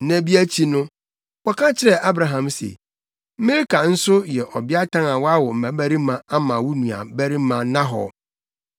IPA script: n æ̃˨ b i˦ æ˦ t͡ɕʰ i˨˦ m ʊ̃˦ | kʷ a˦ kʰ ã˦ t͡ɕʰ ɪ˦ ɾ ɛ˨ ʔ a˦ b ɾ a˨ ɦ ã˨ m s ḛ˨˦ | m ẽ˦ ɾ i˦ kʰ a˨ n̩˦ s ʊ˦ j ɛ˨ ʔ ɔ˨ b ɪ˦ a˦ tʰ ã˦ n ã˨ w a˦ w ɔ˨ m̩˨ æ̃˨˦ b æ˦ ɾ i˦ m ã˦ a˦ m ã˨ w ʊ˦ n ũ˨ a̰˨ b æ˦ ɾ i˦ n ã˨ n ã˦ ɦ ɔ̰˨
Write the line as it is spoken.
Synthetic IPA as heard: n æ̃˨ b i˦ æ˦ t͡ɕʰ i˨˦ n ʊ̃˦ | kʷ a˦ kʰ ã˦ t͡ɕʰ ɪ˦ ɾ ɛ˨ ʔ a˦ b ɾ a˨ ɦ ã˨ m s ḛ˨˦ | m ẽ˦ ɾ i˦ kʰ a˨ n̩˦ s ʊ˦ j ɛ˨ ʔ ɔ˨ b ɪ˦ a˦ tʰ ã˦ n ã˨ w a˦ w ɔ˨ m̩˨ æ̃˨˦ b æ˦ ɾ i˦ m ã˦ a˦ m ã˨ w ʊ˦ n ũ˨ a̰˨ b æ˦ ɾ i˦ m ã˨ n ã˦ ɦ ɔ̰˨